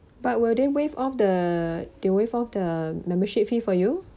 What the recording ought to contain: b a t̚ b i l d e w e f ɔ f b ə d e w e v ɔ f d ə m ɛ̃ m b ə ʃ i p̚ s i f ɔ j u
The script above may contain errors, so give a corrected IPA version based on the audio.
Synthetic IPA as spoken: b a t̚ w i l d e w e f ɔ f d ə d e w e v ɔ f d ə m ɛ̃ m b ə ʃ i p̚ f i f ɔ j u